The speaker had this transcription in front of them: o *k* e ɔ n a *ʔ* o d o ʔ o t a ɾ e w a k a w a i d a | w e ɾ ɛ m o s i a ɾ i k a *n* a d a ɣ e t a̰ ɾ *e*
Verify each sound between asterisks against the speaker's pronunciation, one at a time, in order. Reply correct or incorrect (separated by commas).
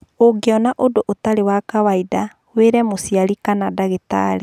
incorrect, correct, correct, correct